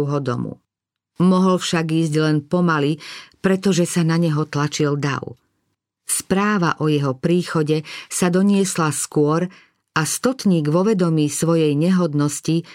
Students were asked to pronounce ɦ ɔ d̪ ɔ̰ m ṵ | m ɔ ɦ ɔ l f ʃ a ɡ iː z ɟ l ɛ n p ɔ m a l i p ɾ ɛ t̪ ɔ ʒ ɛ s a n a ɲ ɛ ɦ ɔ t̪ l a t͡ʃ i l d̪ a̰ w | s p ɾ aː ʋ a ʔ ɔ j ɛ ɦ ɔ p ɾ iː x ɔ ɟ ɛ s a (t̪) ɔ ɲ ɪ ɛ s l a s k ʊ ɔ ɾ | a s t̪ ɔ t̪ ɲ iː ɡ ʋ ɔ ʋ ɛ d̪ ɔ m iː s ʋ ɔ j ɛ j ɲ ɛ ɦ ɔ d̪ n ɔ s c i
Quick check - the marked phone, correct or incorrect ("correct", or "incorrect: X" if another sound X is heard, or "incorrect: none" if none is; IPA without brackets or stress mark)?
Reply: incorrect: d̪